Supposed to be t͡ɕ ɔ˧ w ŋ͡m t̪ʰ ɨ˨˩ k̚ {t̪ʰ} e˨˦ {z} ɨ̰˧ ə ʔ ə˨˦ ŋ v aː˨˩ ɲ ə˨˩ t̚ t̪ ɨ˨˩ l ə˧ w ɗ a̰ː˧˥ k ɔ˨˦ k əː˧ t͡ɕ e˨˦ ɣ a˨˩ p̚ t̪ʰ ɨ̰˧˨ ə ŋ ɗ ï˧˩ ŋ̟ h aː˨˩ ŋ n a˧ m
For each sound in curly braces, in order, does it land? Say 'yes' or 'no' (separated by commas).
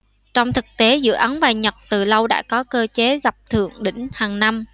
no, yes